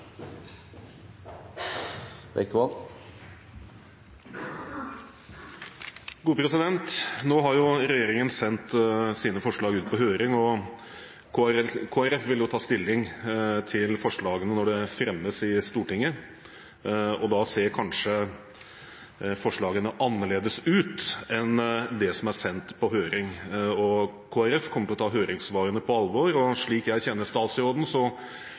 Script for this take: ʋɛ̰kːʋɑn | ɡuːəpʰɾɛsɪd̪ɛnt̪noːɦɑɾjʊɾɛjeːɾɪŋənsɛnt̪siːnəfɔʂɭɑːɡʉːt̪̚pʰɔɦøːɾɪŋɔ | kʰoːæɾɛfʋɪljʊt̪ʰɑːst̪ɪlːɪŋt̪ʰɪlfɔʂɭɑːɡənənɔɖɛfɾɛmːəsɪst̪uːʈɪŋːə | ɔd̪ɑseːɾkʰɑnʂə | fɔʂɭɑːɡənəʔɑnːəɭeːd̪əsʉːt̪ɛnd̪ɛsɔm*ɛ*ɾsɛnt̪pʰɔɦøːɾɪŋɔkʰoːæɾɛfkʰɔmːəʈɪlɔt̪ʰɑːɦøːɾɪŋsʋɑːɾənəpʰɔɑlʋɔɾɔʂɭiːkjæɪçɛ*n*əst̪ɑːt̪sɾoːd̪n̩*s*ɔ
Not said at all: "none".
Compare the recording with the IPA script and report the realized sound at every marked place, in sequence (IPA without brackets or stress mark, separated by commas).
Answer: æ, nː, s